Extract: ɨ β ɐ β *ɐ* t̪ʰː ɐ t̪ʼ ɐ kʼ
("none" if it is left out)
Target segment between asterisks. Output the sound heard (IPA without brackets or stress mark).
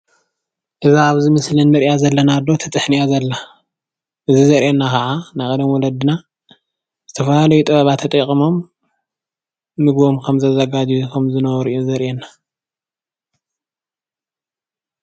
a